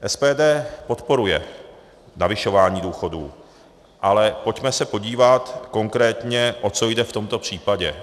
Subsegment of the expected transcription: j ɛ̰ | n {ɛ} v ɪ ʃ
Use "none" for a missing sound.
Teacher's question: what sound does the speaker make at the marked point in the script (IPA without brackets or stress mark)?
a